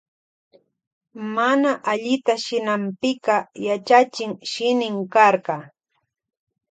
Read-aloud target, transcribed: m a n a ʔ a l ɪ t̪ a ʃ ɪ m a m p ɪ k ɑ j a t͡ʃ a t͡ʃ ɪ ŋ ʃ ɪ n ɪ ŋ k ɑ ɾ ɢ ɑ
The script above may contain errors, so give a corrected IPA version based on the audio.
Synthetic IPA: m a n a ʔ a ʎ ɪ t̪ a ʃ ɪ n a m p ɪ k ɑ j a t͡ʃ a t͡ʃ ɪ ŋ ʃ ɪ n ɪ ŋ k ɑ ɾ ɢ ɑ